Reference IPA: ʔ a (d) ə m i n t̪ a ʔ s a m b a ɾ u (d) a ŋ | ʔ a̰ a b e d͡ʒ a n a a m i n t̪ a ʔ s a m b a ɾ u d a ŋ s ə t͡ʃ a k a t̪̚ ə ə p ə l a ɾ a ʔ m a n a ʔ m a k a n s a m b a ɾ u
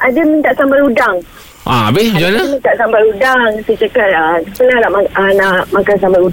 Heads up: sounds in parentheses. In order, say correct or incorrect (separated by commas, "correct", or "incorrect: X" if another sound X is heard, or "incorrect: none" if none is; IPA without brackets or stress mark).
correct, correct